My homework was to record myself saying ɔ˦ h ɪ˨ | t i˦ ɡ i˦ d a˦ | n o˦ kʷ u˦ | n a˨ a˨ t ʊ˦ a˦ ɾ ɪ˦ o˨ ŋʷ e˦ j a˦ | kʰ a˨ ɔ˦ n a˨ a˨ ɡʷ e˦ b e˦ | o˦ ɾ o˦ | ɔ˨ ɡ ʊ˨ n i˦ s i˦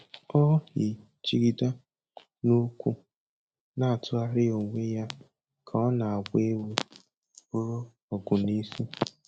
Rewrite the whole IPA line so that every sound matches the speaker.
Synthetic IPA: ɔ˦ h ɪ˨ | t͡ʃ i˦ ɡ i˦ d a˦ | n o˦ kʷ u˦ | n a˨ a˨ t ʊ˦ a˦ ɾ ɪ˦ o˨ ŋʷ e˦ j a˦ | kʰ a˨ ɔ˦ n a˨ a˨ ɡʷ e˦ w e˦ | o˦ ɾ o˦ | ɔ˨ ɡ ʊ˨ n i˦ s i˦